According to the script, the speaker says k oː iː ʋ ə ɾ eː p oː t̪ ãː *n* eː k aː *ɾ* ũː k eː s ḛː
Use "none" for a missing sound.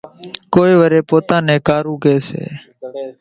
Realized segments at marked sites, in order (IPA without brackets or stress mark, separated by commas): n, ɾ